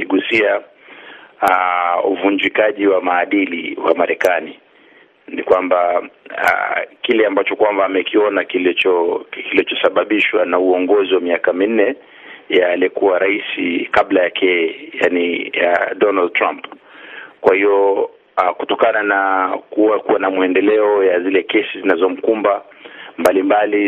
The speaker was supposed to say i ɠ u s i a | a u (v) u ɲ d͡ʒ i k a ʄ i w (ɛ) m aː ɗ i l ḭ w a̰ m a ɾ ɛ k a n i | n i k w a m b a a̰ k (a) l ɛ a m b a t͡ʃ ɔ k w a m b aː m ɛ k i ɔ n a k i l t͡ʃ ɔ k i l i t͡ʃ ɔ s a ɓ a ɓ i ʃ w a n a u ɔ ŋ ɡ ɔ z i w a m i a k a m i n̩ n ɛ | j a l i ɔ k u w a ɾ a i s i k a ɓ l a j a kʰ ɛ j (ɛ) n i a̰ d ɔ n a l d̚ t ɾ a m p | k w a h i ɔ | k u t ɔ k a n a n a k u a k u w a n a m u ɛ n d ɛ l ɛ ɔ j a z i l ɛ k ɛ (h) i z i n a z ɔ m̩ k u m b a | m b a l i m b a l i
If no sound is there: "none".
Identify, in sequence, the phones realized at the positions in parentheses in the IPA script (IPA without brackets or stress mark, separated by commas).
v, a, i, a, s